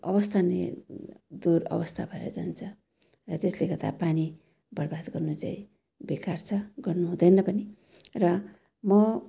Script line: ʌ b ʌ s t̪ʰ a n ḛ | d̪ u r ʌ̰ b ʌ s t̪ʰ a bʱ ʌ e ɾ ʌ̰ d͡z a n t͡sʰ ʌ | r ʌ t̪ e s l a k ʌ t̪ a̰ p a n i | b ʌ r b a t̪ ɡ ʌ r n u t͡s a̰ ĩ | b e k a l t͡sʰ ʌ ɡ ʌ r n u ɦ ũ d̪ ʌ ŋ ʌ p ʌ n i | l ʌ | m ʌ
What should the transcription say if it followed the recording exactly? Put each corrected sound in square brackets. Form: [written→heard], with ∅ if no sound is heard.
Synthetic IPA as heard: ʌ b ʌ s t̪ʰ a n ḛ | d̪ u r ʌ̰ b ʌ s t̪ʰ a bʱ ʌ e ɾ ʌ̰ d͡z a n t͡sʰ ʌ | r ʌ t̪ e s l [a→e] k ʌ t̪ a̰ p a n i | b ʌ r b a [t̪→d̪] ɡ ʌ r n u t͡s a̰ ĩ | b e k a [l→r] t͡sʰ ʌ ɡ ʌ r n u ɦ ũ d̪ ʌ [ŋ→n] ʌ p ʌ n i | [l→r] ʌ | m ʌ